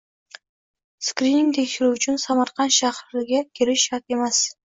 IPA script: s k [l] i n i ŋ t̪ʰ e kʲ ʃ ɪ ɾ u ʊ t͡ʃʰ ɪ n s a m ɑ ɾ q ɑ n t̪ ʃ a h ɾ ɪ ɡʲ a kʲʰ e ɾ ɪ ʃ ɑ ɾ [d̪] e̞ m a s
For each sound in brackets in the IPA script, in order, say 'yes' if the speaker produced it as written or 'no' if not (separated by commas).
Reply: no, no